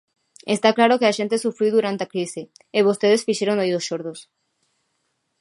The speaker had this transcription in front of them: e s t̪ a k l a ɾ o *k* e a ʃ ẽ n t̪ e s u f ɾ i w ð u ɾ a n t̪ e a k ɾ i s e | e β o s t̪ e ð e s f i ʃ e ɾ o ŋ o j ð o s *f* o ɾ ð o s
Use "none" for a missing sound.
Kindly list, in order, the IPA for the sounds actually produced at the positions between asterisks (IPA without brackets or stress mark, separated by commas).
k, ʃ